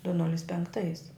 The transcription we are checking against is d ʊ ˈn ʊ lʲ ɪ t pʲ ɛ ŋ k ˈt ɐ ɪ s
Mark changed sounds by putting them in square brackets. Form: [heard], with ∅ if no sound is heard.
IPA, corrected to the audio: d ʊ ˈn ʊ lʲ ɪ [s] pʲ ɛ ŋ k ˈt ɐ ɪ s